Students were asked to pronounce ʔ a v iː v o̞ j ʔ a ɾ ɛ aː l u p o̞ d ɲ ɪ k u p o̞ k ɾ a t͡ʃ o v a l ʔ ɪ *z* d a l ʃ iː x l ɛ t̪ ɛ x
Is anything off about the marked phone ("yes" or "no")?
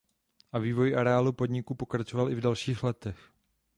yes